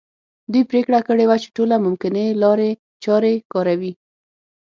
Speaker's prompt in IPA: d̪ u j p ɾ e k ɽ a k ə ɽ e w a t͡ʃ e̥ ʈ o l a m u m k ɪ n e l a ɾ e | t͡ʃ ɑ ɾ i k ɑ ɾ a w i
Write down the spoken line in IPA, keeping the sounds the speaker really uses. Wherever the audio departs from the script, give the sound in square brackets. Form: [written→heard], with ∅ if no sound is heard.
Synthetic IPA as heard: d̪ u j p ɾ e k ɽ a k ə ɽ e w a t͡ʃ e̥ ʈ o l a m [u→ʊ] m k ɪ n e l [a→ɑ] ɾ e | t͡ʃ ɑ ɾ [i→e] k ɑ ɾ a w i